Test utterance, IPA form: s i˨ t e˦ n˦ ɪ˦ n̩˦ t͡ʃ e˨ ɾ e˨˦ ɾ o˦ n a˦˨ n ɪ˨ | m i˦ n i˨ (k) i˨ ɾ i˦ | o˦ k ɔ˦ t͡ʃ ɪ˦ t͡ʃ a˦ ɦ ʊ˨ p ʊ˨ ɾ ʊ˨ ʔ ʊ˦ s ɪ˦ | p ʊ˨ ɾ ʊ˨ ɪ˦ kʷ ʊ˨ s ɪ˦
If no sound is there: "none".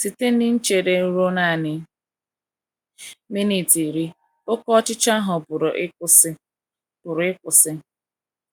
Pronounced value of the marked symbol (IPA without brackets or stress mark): t